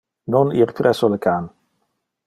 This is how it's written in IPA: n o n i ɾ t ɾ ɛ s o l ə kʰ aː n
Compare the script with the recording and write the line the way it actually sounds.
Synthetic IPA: n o n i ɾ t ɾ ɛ s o l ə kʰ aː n